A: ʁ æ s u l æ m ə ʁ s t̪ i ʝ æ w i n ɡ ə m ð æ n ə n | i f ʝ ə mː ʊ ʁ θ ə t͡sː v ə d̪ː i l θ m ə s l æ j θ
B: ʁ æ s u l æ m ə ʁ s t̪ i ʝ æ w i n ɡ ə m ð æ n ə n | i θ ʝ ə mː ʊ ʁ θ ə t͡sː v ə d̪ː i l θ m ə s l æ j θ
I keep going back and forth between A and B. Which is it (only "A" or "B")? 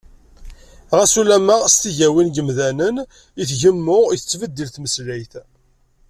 B